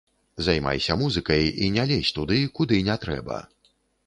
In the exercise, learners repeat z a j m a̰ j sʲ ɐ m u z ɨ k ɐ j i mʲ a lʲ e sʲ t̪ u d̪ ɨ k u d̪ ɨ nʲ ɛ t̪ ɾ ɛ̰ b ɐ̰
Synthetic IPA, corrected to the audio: z a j m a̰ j sʲ ɐ m u z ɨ k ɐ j i nʲ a lʲ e sʲ t̪ u d̪ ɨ k u d̪ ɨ nʲ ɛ t̪ ɾ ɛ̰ b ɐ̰